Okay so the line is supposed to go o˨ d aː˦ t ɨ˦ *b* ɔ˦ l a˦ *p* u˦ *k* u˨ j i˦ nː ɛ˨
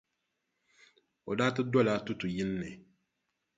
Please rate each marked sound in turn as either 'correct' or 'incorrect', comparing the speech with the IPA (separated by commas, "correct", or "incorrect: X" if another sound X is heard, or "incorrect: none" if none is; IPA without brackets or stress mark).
incorrect: d, incorrect: t, incorrect: t